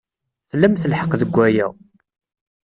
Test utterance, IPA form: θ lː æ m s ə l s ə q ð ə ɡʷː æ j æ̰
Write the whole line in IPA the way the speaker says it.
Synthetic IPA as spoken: θ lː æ m θ ə l ħ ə q ð ə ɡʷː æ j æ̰